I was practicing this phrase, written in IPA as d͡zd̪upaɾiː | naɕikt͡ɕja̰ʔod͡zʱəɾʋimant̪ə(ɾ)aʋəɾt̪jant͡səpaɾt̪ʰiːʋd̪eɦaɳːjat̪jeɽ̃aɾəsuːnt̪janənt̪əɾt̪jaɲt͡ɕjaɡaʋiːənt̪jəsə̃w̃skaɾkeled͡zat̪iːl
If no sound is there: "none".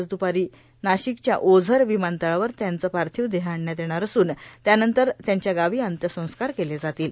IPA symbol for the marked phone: ɭ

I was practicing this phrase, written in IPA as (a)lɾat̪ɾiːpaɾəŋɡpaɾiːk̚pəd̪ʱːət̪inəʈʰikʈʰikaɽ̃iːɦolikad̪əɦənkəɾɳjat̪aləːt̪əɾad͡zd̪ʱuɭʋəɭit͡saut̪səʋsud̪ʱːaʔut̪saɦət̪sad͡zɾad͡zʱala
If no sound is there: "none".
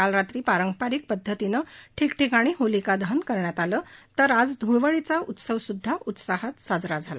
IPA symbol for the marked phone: a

